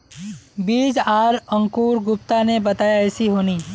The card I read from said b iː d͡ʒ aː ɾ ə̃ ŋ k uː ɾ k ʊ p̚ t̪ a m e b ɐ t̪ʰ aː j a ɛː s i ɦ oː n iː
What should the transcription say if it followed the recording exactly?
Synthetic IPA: b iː d͡ʒ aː ɾ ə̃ ŋ k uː ɾ ɡ ʊ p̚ t̪ a n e b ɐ t̪ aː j a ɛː s i ɦ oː n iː